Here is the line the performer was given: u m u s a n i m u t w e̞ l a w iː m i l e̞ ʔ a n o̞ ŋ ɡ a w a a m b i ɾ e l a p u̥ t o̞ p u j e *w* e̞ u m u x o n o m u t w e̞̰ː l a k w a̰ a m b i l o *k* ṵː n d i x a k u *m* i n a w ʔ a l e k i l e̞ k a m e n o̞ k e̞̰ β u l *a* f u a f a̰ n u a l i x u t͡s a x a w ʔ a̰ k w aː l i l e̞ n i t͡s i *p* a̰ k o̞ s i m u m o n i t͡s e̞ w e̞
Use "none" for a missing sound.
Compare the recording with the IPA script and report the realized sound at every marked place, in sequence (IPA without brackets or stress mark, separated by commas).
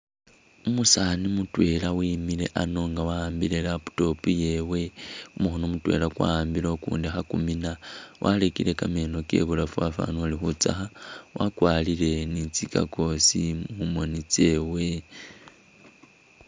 w, k, m, a, k